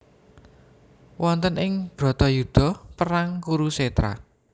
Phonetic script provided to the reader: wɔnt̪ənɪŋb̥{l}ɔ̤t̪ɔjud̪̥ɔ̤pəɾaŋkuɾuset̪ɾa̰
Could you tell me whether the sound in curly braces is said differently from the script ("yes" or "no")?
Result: yes